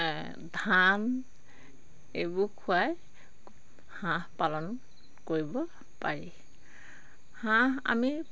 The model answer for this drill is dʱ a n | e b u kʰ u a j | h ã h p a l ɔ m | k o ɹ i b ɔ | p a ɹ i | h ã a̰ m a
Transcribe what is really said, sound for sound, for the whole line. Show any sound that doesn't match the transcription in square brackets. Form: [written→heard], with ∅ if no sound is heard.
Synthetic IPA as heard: dʱ a n | e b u kʰ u a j | h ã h p a l ɔ [m→n] | k o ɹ i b ɔ | p a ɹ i | h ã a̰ m [a→i]